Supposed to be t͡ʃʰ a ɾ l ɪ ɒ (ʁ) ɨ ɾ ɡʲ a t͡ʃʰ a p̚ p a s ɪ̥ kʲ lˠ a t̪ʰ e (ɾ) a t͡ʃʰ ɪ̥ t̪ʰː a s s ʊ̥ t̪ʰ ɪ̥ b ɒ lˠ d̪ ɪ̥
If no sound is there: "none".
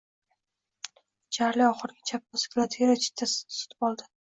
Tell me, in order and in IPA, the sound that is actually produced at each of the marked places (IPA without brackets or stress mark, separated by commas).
χ, ɾ